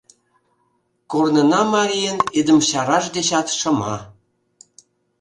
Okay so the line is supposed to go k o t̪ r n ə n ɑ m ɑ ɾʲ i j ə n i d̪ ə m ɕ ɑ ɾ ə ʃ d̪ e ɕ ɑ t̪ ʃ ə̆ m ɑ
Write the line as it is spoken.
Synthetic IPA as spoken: k o r n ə n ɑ m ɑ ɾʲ i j ə n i d̪ ə m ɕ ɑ ɾ ɑ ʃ d̪ e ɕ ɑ t̪ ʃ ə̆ m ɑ